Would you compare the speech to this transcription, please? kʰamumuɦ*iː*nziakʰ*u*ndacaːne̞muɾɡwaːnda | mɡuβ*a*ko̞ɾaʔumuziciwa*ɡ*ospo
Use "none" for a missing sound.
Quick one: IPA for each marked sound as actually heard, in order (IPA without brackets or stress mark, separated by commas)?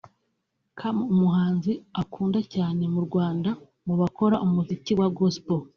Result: aː, uː, a, ɡ